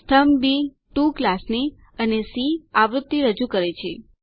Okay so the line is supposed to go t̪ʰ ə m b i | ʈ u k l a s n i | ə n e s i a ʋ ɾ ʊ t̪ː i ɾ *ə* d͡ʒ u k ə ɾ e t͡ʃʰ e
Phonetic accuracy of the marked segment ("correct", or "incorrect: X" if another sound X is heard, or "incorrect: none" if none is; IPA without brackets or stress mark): correct